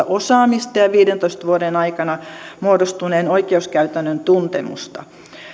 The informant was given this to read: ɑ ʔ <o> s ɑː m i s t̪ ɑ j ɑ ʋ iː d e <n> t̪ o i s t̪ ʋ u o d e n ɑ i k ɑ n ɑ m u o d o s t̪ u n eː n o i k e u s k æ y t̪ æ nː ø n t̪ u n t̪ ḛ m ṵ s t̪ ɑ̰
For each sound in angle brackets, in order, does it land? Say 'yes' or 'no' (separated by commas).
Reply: yes, yes